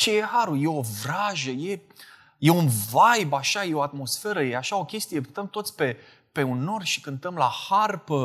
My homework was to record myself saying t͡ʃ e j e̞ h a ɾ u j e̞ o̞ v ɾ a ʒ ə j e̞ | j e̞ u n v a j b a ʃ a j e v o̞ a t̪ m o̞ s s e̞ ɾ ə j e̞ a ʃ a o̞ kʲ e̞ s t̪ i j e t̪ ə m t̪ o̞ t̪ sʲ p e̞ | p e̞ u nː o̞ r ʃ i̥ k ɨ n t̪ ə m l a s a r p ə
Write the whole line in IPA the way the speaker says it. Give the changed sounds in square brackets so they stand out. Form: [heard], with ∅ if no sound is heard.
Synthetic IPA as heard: t͡ʃ e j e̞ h a ɾ u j e̞ o̞ v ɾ a ʒ ə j e̞ | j e̞ u n v a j b a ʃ a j e [∅] o̞ a t̪ m o̞ s [f] e̞ ɾ ə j e̞ a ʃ a o̞ kʲ e̞ s t̪ i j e t̪ ə m t̪ o̞ t̪ sʲ p e̞ | p e̞ u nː o̞ r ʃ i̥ k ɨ n t̪ ə m l a [h] a r p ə